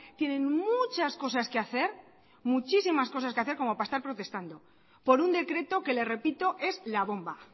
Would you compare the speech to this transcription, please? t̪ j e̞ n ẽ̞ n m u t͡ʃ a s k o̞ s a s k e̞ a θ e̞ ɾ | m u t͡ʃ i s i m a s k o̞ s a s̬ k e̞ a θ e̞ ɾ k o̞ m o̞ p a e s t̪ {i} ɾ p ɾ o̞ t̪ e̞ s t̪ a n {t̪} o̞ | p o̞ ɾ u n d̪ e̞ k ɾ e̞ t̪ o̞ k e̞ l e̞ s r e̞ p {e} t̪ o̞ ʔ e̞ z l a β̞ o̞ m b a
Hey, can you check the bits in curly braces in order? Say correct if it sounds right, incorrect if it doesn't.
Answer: incorrect: a, incorrect: d̪, incorrect: i

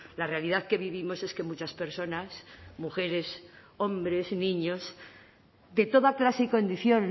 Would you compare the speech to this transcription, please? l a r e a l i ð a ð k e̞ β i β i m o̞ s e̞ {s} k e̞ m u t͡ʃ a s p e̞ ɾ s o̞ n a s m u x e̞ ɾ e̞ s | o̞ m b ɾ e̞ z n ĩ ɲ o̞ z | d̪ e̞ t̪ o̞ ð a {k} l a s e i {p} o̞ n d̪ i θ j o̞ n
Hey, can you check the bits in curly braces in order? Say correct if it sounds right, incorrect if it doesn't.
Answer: correct, correct, incorrect: k

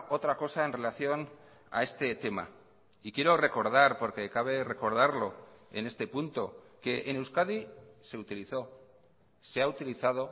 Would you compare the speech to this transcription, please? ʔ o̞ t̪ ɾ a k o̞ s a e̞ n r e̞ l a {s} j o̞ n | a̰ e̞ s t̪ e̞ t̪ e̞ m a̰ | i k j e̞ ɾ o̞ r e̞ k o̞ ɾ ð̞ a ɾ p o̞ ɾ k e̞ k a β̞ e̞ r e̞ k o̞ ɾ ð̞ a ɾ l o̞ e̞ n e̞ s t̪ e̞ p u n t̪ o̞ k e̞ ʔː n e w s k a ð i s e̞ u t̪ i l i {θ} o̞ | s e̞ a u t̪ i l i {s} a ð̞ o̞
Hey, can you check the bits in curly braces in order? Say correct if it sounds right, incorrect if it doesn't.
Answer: incorrect: θ, correct, incorrect: θ

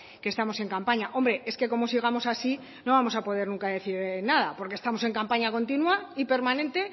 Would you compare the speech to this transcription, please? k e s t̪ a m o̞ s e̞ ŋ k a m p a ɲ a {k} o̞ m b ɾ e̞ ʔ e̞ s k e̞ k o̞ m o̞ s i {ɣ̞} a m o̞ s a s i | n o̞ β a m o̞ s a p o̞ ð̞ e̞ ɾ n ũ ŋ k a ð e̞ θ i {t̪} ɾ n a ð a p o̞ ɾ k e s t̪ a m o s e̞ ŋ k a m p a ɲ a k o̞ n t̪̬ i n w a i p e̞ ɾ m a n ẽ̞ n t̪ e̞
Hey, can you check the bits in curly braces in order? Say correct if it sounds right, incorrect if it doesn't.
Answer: incorrect: ʔ, correct, incorrect: none

